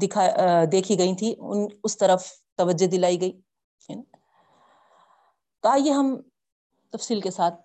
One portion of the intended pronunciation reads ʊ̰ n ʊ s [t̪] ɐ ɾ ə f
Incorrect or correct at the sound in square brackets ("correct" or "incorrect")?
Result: correct